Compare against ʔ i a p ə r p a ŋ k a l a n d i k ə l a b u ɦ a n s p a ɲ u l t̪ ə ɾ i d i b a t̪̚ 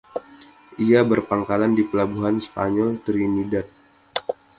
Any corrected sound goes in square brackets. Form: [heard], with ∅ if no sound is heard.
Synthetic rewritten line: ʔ i a [b] ə r p a ŋ k a l a n d i [p] ə l a b u ɦ a n s p a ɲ [ɔ] l t̪ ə ɾ i [n] i [d] a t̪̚